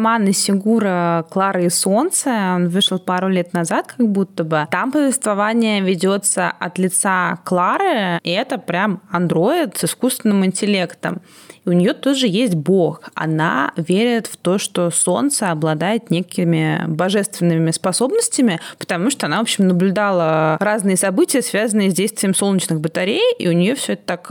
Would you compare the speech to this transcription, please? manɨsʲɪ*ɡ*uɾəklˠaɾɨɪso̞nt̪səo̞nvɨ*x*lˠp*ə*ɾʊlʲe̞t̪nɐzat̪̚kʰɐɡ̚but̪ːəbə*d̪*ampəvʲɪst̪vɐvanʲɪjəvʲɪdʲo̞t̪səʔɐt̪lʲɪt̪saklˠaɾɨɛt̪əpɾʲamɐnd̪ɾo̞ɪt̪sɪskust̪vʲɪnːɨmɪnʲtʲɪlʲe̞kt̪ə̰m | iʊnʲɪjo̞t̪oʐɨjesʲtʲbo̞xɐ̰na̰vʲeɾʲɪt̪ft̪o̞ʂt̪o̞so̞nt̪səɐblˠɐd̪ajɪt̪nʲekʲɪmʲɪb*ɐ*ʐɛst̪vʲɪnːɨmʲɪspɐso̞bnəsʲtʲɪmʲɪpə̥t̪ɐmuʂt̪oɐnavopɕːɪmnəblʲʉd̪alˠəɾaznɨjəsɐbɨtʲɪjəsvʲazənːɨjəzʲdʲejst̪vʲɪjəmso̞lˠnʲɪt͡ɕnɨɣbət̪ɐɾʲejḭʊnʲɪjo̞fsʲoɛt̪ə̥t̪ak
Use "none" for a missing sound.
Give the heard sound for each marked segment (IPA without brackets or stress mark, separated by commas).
ɡ, ʂ, a, t̪, ɐ